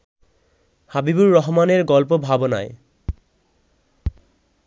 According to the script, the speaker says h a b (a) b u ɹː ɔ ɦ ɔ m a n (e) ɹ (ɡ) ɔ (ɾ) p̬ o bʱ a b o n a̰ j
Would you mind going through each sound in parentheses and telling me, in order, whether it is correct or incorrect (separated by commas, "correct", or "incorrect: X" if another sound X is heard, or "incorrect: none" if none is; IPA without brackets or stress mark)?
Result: incorrect: i, correct, correct, incorrect: l